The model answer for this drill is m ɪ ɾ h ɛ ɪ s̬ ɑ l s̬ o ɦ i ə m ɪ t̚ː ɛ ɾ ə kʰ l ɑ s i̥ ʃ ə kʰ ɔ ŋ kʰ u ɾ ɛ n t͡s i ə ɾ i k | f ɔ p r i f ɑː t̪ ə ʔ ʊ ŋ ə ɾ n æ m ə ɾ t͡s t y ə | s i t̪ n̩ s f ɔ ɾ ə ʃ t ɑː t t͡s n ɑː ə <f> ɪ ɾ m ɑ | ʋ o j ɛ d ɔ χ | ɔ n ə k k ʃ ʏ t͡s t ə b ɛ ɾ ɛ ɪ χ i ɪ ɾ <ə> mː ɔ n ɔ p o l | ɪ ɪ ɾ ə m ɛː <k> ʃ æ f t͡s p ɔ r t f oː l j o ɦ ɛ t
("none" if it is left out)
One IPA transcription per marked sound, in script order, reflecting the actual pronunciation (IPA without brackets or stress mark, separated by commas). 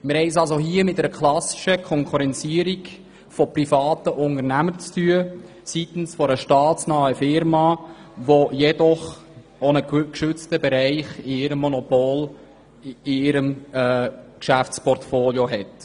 f, ə, k